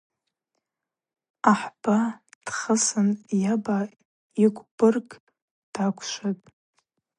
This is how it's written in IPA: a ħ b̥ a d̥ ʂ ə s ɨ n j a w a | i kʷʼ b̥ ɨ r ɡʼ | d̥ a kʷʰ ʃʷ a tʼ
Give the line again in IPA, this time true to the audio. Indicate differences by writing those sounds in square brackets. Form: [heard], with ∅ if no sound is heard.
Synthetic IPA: a ħ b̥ a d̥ [χ] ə s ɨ n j a [b] a | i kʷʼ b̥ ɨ r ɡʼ | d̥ a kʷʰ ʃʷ a tʼ